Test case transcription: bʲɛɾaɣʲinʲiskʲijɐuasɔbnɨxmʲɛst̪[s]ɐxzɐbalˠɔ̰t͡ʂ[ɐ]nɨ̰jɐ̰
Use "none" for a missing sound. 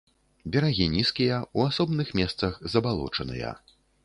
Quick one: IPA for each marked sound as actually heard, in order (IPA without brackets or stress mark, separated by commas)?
s, ɐ